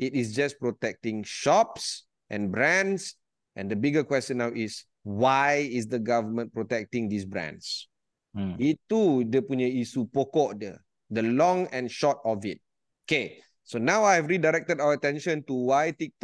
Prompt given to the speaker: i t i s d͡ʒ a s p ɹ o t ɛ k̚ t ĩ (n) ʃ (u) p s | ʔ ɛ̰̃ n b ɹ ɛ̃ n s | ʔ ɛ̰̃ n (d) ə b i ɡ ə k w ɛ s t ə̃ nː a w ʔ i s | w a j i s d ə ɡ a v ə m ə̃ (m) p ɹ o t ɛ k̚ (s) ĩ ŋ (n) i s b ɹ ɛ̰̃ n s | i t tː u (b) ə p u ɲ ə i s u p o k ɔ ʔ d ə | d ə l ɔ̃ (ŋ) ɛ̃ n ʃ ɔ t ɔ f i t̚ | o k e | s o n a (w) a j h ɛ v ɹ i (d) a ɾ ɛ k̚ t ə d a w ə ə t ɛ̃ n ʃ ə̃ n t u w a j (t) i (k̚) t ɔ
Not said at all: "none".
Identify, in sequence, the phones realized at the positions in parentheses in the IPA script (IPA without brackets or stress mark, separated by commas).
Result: ŋ, ɔ, d, n, t, d, d, ŋ, w, d, t, k̚